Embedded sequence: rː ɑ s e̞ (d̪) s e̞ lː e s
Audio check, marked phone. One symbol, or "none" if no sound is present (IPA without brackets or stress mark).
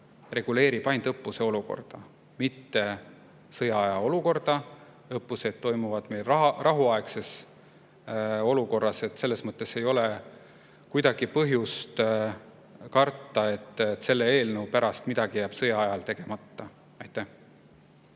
t̪